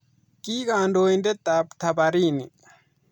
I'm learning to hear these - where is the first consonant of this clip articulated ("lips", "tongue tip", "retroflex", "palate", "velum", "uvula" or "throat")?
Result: velum